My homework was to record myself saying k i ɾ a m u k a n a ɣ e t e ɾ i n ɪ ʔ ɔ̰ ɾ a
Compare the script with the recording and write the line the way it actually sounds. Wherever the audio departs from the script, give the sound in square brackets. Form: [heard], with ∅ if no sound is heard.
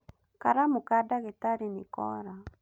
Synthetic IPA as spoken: k [a] ɾ a m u k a [d] a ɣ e t [a] ɾ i n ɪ [k] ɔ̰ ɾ a